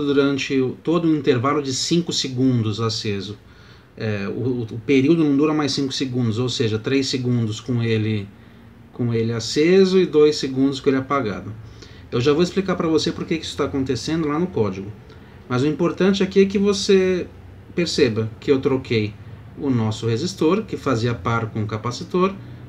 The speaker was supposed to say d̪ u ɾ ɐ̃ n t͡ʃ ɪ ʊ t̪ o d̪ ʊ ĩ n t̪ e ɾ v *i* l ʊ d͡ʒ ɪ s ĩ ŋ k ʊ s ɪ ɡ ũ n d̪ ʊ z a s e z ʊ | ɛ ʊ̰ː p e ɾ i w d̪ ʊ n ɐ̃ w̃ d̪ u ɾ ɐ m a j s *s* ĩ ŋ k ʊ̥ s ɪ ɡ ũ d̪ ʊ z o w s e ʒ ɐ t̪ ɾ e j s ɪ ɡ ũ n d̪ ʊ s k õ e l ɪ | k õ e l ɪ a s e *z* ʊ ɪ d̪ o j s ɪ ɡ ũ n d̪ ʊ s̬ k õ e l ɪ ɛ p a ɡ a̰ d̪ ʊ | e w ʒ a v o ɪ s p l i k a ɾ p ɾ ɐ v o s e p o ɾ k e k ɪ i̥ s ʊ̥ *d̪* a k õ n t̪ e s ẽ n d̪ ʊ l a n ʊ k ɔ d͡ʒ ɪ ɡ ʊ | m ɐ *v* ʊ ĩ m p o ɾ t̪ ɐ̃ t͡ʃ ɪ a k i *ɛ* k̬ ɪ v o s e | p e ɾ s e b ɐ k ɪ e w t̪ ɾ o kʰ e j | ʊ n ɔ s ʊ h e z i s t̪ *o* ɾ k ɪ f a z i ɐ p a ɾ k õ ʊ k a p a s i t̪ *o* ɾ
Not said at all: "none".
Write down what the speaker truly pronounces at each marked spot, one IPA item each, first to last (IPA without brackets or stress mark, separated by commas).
a, s, z, t̪, z, ɛ, o, o